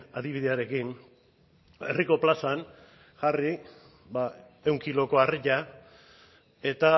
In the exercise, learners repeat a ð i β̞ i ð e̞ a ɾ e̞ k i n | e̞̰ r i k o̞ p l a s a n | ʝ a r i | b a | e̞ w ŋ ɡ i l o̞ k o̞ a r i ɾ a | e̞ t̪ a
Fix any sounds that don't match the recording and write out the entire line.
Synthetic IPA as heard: a ð i β̞ i ð e̞ a ɾ e̞ k i n | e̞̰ r i k o̞ p l a s a n | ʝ a r i | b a | e̞ w ŋ k i l o̞ k o̞ a r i ʎ a | e̞ t̪ a